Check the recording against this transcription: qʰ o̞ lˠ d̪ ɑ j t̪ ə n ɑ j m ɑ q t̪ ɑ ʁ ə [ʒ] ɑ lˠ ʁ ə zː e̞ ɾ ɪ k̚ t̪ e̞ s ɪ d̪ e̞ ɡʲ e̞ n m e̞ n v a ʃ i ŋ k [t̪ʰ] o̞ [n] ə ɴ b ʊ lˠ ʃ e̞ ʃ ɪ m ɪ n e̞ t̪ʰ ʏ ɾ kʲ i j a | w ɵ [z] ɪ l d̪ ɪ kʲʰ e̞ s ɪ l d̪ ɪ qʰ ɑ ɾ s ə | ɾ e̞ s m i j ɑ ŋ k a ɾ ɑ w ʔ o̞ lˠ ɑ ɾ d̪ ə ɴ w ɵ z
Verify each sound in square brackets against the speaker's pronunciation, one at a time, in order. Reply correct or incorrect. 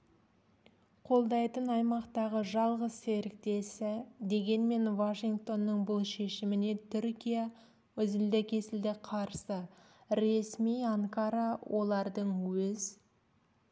correct, incorrect: t̪, incorrect: nː, correct

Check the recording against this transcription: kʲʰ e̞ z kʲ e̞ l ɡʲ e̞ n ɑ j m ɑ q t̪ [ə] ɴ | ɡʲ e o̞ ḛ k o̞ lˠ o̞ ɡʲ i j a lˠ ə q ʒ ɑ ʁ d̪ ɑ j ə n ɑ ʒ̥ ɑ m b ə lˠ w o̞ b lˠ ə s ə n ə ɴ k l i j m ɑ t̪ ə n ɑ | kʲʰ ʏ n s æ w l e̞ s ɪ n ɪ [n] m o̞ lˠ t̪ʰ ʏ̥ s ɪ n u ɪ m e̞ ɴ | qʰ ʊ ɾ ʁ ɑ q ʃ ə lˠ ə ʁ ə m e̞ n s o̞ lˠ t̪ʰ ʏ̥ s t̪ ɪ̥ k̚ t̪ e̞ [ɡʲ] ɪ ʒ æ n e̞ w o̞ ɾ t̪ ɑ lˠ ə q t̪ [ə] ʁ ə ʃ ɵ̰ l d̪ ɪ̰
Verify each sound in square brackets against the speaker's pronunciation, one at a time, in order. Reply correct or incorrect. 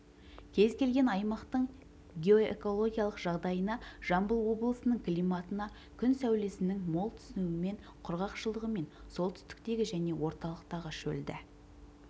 correct, incorrect: ŋ, correct, incorrect: ɑ

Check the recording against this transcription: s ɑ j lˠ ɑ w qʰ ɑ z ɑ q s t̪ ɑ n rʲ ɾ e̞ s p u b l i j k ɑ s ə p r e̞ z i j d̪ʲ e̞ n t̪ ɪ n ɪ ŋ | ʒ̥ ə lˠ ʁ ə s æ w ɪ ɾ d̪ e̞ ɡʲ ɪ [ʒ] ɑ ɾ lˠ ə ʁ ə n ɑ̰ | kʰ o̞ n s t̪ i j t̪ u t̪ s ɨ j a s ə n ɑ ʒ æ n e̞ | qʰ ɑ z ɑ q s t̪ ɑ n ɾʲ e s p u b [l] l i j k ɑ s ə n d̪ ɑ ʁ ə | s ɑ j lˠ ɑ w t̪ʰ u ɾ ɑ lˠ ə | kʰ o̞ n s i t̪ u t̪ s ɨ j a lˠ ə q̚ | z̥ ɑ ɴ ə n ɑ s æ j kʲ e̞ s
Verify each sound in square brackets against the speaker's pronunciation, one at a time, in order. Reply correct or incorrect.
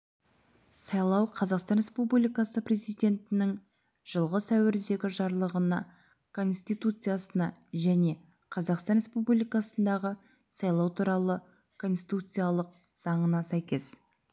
correct, correct

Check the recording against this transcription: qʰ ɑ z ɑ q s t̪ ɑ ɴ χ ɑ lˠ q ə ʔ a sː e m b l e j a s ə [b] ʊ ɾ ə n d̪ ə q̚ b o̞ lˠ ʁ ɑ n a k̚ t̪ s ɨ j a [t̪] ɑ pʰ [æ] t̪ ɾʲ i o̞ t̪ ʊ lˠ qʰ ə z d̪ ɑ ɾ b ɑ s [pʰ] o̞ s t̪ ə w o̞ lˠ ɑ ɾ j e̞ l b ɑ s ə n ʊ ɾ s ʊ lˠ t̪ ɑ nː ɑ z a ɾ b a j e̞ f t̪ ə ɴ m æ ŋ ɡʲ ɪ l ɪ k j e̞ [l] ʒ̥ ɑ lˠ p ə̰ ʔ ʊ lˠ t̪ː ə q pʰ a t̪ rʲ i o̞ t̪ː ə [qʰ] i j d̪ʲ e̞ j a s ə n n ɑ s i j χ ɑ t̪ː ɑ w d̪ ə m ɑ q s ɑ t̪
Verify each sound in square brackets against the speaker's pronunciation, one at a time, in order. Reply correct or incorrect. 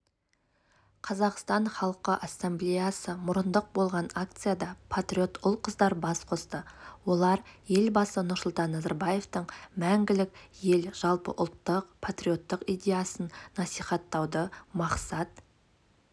incorrect: m, incorrect: d̪, incorrect: a, incorrect: qʰ, correct, incorrect: q

